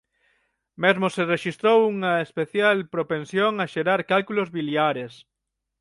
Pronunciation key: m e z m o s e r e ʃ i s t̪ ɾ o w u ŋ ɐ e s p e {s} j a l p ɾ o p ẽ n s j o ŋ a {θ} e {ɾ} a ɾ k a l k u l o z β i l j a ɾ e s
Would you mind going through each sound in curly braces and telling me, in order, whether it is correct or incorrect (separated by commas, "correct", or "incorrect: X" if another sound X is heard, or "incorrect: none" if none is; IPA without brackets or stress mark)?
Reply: incorrect: θ, incorrect: ʃ, correct